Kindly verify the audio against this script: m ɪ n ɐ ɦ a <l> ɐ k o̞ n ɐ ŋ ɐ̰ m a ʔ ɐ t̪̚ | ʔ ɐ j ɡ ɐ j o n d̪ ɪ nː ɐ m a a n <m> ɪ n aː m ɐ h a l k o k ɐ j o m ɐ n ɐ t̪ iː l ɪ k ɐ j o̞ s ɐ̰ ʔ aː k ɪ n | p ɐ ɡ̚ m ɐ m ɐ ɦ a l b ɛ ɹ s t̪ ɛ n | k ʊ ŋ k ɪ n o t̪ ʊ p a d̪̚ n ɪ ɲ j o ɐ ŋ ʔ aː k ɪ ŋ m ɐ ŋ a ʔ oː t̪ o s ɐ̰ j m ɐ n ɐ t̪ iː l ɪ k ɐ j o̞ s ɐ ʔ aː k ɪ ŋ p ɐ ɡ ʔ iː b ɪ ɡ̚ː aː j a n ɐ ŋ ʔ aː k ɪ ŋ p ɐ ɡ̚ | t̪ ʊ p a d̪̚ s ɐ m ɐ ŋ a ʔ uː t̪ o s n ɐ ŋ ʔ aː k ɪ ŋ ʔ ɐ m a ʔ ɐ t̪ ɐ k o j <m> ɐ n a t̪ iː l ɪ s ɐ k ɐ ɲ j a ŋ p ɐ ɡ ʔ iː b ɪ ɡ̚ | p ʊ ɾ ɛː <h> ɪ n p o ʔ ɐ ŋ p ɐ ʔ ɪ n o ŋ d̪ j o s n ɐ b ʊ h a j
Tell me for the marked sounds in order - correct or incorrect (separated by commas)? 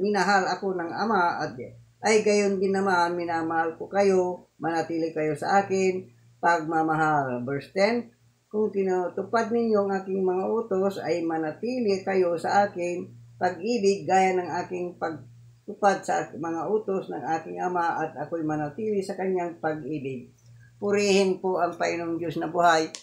correct, correct, correct, correct